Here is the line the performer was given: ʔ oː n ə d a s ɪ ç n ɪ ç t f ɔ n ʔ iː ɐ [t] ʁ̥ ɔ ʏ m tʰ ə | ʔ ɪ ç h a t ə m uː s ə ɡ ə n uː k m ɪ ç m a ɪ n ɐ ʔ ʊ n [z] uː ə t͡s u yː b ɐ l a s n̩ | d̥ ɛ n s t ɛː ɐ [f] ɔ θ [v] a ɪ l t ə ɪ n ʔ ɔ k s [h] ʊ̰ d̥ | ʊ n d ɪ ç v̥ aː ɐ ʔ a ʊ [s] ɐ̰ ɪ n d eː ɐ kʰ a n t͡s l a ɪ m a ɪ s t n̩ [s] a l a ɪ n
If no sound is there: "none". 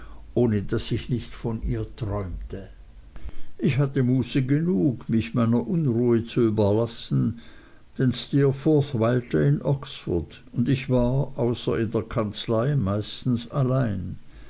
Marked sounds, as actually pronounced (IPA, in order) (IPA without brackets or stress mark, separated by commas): t, ʁ, f, v, f, s, s